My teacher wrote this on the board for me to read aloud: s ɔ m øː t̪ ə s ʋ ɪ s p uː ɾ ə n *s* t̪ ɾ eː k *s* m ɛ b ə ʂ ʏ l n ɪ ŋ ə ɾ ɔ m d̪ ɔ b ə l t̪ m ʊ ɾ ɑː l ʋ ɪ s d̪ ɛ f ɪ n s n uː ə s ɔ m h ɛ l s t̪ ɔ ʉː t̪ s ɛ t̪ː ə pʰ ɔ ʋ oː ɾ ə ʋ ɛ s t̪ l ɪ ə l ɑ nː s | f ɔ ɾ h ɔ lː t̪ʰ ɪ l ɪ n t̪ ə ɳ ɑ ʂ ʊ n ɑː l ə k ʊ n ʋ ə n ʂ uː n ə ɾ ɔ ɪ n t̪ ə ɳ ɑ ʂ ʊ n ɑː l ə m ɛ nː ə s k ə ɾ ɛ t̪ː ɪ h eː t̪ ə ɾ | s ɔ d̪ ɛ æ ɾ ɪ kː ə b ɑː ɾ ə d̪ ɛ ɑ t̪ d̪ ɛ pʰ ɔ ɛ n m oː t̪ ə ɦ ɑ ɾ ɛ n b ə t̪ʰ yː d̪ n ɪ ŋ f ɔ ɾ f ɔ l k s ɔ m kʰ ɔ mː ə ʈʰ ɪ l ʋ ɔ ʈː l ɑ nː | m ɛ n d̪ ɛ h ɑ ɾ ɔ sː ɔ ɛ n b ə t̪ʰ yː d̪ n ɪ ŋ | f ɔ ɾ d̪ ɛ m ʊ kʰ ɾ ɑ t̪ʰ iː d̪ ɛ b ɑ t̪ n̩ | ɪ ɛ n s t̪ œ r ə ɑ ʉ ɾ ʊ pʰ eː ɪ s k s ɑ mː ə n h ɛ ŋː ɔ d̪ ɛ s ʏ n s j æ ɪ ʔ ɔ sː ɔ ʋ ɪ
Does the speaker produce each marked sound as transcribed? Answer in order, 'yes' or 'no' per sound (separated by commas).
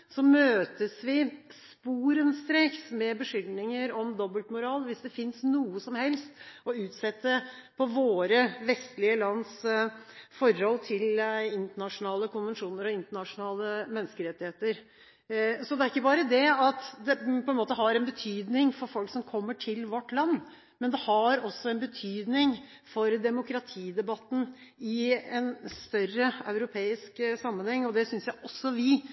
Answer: yes, yes